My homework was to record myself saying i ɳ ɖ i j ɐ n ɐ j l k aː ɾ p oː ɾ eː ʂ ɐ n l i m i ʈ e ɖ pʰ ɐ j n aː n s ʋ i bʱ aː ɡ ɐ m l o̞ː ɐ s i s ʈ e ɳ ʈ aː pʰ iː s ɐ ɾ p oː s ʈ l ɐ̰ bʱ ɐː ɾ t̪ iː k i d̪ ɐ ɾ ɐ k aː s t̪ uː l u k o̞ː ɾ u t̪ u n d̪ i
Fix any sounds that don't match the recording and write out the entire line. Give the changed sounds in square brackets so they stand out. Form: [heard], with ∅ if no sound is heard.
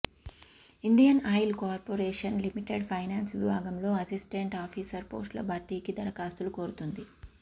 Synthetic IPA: i ɳ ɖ i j ɐ n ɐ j l k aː ɾ p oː ɾ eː ʂ ɐ n l i m i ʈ e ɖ pʰ ɐ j n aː n s ʋ i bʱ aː ɡ ɐ m l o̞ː ɐ s i s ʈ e ɳ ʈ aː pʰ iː s ɐ ɾ p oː s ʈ l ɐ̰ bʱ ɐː ɾ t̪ iː k i d̪ ɐ ɾ ɐ k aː s t̪ [u] l u k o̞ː ɾ u t̪ u n d̪ i